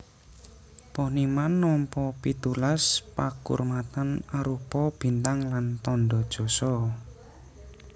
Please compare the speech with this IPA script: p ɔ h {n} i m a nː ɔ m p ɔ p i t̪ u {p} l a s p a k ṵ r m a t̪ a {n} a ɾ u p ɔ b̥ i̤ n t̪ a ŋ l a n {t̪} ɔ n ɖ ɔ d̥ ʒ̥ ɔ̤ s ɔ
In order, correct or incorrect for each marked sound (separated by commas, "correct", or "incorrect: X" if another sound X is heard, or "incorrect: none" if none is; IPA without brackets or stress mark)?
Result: correct, incorrect: none, correct, correct